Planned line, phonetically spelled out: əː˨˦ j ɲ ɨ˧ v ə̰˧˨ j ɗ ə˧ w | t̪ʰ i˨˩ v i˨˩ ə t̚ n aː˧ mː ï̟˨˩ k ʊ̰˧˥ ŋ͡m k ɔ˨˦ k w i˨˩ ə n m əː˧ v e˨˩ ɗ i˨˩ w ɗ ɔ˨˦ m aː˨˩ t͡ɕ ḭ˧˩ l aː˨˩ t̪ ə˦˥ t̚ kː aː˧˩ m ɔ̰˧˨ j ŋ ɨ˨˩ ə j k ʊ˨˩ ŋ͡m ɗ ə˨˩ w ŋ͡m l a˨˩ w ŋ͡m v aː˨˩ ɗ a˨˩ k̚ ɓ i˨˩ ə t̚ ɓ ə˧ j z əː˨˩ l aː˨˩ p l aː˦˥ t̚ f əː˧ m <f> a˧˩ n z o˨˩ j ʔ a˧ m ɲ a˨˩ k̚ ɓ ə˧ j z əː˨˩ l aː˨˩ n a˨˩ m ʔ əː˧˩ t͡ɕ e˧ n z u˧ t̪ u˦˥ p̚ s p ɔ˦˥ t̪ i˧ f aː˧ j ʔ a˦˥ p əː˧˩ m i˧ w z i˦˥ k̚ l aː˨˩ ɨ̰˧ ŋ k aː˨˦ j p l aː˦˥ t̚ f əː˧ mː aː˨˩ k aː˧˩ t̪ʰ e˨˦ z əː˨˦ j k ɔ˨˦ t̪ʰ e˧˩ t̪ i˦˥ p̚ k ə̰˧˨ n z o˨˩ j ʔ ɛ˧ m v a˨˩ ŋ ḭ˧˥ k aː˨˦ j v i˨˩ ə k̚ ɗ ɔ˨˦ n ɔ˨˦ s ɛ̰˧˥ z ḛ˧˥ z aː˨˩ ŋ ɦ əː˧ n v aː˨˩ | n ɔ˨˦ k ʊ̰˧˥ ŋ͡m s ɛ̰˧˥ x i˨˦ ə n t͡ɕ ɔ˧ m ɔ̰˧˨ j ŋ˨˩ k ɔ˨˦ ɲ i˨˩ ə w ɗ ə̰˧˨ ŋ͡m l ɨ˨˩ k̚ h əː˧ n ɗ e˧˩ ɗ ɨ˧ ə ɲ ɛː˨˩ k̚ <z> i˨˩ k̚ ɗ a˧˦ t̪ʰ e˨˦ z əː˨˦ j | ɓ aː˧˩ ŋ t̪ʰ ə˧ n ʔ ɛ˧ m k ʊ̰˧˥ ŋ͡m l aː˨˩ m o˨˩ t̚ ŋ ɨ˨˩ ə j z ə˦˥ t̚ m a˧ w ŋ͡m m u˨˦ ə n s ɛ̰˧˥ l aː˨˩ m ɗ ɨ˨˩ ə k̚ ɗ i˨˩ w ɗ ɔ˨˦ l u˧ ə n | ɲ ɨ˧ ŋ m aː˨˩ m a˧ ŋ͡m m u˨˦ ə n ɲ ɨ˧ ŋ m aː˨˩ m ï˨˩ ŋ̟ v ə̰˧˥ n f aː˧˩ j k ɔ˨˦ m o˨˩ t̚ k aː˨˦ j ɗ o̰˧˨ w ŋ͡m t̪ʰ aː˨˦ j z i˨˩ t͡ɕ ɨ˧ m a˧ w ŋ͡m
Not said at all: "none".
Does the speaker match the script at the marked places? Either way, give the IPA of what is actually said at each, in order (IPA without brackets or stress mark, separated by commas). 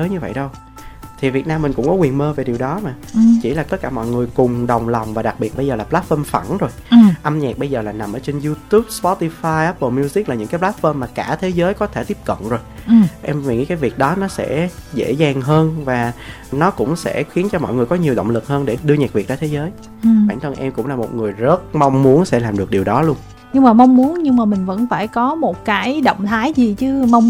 f, v